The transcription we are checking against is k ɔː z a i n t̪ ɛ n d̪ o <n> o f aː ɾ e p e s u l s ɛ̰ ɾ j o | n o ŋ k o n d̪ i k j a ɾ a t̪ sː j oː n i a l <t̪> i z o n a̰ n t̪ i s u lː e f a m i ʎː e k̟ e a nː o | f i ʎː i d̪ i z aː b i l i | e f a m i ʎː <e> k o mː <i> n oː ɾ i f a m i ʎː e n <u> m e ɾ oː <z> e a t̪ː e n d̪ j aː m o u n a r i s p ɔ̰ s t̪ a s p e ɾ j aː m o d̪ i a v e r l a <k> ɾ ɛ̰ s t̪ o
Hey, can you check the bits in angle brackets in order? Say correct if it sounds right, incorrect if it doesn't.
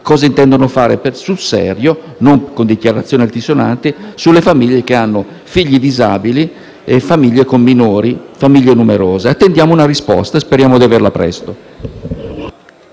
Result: correct, correct, correct, correct, correct, correct, incorrect: p

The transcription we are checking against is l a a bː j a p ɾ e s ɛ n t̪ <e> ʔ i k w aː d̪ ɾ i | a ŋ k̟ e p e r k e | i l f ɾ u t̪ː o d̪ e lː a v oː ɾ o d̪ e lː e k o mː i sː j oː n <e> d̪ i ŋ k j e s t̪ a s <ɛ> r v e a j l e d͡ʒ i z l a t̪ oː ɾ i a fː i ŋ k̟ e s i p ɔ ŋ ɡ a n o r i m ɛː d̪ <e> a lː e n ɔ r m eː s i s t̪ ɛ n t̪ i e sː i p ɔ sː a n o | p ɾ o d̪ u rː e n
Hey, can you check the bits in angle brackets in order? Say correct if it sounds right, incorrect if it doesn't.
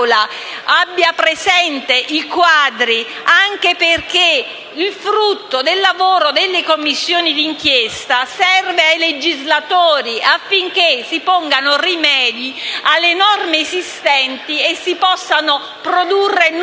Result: correct, incorrect: i, correct, incorrect: i

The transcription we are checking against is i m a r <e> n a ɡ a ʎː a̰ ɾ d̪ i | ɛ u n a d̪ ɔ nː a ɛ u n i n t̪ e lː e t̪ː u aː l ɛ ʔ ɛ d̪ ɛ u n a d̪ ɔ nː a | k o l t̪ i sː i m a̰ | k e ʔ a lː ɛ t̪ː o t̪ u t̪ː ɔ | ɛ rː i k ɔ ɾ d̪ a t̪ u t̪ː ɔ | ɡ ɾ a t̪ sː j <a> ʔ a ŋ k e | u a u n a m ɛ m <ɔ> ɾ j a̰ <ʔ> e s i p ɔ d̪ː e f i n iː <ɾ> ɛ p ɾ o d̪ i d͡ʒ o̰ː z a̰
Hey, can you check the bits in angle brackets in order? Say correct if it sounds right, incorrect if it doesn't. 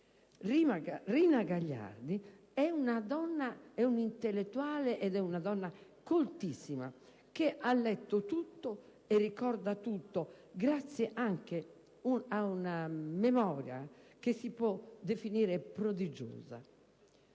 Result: incorrect: i, incorrect: ɛ, incorrect: ɔː, incorrect: k, correct

